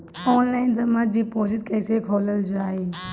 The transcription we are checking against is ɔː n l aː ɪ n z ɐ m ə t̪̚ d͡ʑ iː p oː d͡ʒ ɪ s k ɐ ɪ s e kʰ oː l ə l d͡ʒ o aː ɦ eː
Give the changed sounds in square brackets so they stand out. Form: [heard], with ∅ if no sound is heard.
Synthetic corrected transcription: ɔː n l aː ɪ n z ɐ m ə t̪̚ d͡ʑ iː p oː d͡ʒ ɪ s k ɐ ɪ s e kʰ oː l ə l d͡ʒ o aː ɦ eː

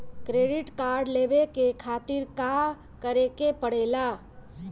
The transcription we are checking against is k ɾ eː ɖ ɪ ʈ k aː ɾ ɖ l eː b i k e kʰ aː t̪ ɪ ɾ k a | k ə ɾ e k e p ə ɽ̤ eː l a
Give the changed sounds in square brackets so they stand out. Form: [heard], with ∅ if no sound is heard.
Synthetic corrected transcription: k ɾ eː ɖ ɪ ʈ k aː ɾ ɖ l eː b [e] k e kʰ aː t̪ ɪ ɾ k a | k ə ɾ e k e p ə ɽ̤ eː l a

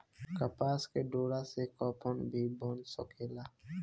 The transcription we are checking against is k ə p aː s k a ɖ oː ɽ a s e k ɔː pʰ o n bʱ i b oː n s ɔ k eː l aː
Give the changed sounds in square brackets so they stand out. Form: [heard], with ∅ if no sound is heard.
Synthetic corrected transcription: k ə p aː s k [e] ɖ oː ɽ a s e k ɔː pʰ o n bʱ i b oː n s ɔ k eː l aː

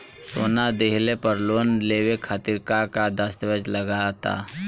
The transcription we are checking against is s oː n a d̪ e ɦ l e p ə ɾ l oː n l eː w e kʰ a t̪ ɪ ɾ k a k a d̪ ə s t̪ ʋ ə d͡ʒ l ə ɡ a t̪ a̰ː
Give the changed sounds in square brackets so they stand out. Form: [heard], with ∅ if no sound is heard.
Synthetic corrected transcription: s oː n a d̪ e ɦ l e p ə ɾ l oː n l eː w e kʰ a t̪ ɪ ɾ k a k a d̪ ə s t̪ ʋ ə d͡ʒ l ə ɡ a t̪ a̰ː

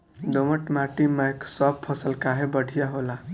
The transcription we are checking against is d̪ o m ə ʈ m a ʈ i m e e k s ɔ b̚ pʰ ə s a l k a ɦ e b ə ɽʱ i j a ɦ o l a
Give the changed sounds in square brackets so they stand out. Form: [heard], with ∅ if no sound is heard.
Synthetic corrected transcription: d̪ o m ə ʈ m a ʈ i m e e k s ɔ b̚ pʰ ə s [ə] l k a ɦ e b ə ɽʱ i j a ɦ o l a

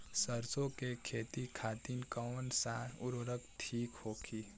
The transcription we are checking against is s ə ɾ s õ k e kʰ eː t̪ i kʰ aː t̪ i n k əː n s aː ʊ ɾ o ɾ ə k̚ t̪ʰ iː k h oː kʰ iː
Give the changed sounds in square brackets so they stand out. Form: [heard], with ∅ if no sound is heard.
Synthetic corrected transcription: s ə ɾ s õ k e kʰ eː t̪ i kʰ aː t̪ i n k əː n s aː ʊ ɾ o ɾ ə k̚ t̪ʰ iː k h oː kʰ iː

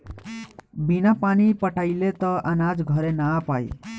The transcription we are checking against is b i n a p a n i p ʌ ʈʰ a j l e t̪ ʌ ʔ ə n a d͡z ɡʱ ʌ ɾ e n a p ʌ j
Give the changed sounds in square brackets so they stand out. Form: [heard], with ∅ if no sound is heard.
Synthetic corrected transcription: b i n a p a n i p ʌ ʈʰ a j l e t̪ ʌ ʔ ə n a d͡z ɡʱ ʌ ɾ e n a p [a] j

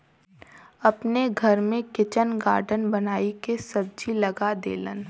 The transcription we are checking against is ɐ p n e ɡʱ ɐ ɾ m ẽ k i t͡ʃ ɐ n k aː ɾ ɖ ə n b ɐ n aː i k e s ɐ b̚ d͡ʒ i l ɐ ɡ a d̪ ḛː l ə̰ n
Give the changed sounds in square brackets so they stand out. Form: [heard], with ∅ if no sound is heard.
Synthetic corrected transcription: ɐ p n e ɡʱ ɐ ɾ m ẽ k [ɪ] t͡ʃ [ə] n [ɡ] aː ɾ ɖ ə n b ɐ n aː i k e s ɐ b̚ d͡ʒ i l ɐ ɡ a d̪ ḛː l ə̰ n

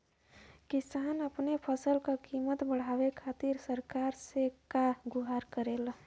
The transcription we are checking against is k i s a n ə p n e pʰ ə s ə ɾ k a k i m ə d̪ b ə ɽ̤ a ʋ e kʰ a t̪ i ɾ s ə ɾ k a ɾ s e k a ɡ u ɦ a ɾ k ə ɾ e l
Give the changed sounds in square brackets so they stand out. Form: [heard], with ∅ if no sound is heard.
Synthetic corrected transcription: k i s a n ə p n e pʰ ə s ə [l] k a k i m ə [t̪] b ə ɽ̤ a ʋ e kʰ a t̪ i ɾ s ə ɾ k a ɾ s e k a ɡ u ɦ a ɾ k ə ɾ e l

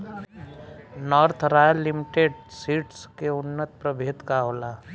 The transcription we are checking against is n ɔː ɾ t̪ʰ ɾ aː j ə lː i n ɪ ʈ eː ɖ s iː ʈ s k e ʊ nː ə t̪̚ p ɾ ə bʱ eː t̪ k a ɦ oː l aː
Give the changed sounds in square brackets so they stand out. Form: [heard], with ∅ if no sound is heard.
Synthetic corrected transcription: n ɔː ɾ t̪ʰ ɾ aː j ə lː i [m] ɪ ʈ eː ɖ s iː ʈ s k e ʊ nː ə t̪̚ p ɾ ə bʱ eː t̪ k a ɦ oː l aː

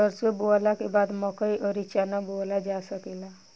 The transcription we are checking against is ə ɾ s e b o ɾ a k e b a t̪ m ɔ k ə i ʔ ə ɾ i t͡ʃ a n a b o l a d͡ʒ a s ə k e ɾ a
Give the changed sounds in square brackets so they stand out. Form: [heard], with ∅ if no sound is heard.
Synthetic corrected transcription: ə ɾ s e b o [l] a k e b a [d̪] m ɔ k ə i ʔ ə ɾ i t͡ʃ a n a b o l a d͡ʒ a s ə k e [l] a

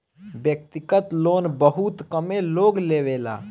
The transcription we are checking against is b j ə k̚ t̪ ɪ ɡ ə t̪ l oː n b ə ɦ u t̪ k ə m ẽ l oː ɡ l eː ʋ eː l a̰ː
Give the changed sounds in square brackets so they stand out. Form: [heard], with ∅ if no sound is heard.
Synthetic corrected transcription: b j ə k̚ t̪ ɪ [k] ə t̪ l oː n b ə ɦ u t̪ k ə m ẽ l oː ɡ l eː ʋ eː l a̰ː

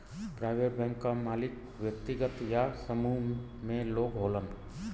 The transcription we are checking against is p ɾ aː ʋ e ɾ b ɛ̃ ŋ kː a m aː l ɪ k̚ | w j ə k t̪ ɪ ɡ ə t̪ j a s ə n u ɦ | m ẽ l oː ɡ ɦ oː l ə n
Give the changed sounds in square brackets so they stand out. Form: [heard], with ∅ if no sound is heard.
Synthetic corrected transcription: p ɾ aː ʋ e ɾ b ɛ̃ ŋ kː a m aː l ɪ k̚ | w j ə k t̪ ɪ ɡ ə t̪ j a s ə [m] u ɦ | m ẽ l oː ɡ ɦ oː l ə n

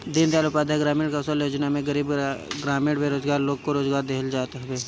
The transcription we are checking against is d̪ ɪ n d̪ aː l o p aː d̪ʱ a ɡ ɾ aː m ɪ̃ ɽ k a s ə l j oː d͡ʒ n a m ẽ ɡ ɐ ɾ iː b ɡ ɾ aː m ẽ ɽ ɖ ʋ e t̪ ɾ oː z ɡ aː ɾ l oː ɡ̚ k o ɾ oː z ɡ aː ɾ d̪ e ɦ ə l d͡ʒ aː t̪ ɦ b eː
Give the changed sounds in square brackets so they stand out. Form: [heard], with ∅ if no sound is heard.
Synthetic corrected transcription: d̪ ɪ n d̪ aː l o p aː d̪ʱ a ɡ ɾ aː m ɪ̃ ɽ k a s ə l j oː d͡ʒ n a m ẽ ɡ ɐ ɾ iː b ɡ ɾ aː m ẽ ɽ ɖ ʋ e [∅] ɾ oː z ɡ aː ɾ l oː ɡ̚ k o ɾ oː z ɡ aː ɾ d̪ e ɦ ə l d͡ʒ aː t̪ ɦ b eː

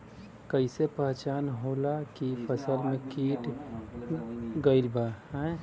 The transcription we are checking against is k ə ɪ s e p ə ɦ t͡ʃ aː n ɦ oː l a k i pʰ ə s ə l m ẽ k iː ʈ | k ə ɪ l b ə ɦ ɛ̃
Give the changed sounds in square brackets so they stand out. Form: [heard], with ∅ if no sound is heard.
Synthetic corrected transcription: k ə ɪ s e p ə ɦ t͡ʃ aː n ɦ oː l a k i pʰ ə s ə l m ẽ k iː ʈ | [ɡ] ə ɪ l b [a] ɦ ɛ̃

